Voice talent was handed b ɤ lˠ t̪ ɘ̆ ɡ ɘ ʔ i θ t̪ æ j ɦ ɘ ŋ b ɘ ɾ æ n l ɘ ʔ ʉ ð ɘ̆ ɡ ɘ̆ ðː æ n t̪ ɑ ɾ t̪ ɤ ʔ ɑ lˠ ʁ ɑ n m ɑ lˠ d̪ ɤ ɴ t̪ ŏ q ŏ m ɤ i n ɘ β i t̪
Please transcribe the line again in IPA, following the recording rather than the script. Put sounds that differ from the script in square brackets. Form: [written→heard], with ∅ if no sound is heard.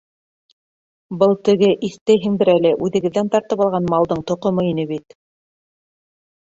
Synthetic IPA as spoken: b ɤ lˠ t̪ ɘ̆ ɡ ɘ ʔ i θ t̪ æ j ɦ ɘ ŋ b ɘ ɾ æ [n→∅] l ɘ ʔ ʉ ð ɘ̆ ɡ ɘ̆ ðː æ n t̪ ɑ ɾ t̪ ɤ [ʔ→p] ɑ lˠ ʁ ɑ n m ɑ lˠ d̪ ɤ ɴ t̪ ŏ q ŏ m ɤ i n ɘ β i t̪